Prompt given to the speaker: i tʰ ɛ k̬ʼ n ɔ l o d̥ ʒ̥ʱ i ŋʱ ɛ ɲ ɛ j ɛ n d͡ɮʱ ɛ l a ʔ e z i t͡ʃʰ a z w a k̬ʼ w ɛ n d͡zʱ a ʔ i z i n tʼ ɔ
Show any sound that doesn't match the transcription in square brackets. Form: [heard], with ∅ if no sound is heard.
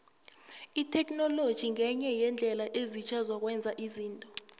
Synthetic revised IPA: i tʰ ɛ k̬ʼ n ɔ l o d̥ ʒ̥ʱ i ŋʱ ɛ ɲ ɛ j ɛ n d͡ɮʱ ɛ l a ʔ e z i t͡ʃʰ a z w a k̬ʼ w ɛ n d͡zʱ a ʔ i z [iː] n tʼ ɔ